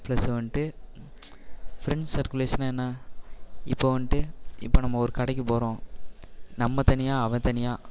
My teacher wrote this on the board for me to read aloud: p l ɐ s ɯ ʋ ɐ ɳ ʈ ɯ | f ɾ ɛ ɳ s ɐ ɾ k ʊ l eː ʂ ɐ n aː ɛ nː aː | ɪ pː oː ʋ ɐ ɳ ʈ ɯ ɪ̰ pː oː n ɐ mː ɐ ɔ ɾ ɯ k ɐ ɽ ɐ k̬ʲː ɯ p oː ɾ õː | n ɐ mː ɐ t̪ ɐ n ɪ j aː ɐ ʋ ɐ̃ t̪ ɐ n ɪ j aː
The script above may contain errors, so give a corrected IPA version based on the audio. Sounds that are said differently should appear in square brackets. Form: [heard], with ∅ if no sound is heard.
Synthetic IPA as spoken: p l ɐ s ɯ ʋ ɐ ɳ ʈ ɯ | f ɾ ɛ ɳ s ɐ ɾ k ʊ l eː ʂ ɐ n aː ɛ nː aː | ɪ pː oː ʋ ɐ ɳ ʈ ɯ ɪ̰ pː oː n ɐ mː ɐ ɔ ɾ ɯ k ɐ ɽ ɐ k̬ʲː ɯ p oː ɾ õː | n ɐ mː ɐ t̪ ɐ n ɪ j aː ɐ ʋ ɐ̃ t̪ ɐ n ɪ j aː